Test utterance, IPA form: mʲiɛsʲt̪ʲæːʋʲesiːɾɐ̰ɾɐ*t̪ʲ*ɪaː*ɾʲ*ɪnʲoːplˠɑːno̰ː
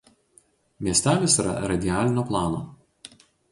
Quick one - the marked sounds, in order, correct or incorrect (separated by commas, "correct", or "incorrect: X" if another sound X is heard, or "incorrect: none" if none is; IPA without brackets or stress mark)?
incorrect: d̪ʲ, incorrect: lʲ